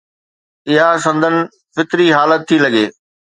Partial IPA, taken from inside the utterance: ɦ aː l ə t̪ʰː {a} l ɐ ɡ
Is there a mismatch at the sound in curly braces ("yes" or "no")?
yes